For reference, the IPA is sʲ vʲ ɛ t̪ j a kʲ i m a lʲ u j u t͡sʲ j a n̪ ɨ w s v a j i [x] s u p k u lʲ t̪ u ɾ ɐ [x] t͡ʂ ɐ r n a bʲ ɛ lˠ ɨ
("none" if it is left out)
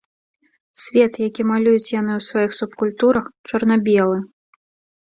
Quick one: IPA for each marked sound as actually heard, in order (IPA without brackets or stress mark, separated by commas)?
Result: x, x